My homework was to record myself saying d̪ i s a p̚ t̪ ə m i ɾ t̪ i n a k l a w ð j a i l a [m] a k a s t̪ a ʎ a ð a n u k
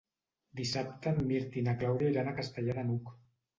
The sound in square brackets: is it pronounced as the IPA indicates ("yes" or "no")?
no